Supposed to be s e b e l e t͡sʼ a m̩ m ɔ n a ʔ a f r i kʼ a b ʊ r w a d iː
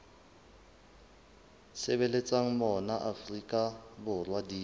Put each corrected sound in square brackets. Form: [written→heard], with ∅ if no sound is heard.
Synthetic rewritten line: s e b e l e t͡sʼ a [m̩→ŋ̩] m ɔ n a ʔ a f r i kʼ a b ʊ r w a d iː